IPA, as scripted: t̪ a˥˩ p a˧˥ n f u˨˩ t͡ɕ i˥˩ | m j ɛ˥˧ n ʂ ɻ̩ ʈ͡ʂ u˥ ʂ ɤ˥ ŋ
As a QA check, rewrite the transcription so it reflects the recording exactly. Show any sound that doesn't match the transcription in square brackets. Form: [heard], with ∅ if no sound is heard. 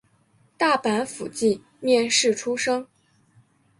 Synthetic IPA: t̪ a˥˩ p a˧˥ n f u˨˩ t͡ɕ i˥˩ | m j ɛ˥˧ n ʂ ɻ̩ [ʈ͡ʂʰ] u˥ ʂ ɤ˥ ŋ